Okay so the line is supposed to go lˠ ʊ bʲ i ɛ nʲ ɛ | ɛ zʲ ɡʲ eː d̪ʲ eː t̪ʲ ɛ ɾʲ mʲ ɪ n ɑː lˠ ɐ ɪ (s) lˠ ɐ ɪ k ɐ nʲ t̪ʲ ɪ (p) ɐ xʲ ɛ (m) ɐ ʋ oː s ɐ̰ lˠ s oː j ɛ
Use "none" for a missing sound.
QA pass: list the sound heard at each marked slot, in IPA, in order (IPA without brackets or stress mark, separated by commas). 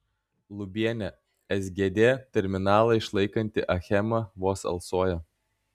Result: ʃ, ʔ, m